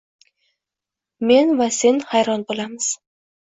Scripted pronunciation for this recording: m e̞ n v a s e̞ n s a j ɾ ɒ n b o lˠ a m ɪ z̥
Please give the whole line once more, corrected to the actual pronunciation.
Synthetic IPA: m e̞ n v a s e̞ n h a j ɾ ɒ n b o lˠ a m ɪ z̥